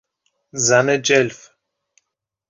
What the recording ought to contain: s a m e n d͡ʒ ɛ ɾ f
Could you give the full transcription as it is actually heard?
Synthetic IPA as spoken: z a n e d͡ʒ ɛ l f